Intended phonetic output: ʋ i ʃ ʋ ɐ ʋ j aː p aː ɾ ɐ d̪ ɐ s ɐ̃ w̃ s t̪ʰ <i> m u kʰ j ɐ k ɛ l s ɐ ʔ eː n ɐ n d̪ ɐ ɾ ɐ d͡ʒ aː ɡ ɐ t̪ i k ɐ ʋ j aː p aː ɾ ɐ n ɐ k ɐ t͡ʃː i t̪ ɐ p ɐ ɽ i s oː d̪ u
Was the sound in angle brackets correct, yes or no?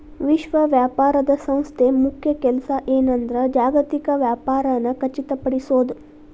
no